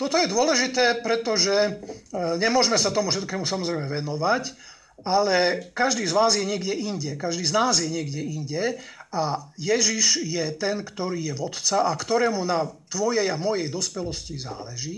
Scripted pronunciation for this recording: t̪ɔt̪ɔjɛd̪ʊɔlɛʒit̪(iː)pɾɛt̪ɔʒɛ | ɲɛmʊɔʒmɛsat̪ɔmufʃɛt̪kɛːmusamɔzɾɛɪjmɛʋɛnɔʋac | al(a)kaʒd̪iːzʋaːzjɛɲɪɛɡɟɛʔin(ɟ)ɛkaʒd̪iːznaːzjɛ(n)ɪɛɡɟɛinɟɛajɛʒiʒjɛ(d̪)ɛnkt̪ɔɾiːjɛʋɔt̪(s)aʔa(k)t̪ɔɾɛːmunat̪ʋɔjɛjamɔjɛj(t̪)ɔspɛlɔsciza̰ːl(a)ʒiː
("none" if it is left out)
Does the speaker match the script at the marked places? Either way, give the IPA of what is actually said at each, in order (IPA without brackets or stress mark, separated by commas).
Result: ɛː, ɛ, ɟ, ɲ, t̪, t͡s, k, d̪, ɛ